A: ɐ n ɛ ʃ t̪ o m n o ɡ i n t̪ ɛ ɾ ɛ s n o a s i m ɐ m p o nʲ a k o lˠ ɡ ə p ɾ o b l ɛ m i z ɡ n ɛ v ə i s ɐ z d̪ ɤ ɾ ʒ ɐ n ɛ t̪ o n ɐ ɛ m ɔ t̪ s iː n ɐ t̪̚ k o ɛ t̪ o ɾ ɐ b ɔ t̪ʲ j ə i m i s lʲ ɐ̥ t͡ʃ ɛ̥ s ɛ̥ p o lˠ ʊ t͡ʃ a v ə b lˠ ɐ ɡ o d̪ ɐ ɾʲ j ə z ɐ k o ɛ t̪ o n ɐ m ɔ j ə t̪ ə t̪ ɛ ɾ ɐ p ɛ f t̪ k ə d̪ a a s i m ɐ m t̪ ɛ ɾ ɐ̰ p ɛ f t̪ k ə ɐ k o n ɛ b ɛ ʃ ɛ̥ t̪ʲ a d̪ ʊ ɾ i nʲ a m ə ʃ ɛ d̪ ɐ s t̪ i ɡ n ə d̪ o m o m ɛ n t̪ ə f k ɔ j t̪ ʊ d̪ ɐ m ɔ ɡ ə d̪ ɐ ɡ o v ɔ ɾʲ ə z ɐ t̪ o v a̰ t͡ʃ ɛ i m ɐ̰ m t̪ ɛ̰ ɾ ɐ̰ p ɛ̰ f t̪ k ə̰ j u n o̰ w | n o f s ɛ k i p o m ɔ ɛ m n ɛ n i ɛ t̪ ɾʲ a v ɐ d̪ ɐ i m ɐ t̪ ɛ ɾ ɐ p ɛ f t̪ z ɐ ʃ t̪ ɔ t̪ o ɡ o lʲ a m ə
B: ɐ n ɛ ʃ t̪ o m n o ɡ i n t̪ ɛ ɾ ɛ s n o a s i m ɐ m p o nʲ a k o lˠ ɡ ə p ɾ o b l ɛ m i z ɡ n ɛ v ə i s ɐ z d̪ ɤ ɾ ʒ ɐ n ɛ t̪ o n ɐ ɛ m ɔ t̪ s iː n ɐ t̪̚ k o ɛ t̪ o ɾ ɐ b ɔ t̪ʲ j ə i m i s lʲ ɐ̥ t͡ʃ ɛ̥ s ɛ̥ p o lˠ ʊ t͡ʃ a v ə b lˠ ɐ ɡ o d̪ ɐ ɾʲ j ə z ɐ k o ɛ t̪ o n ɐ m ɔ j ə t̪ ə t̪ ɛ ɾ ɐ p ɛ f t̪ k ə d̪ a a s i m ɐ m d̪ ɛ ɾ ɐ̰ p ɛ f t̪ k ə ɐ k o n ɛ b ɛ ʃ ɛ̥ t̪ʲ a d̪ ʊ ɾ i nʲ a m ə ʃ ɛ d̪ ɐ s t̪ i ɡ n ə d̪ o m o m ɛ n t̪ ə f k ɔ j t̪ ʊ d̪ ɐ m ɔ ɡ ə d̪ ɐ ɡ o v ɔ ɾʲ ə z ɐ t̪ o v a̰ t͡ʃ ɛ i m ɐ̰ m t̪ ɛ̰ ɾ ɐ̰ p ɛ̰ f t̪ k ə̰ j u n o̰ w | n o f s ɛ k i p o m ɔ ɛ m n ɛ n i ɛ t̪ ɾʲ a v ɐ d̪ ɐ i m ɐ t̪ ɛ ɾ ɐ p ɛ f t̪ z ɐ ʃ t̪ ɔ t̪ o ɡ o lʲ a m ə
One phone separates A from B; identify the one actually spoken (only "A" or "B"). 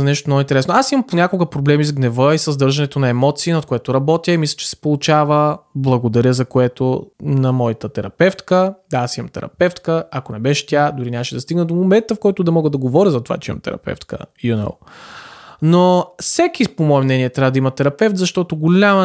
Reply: A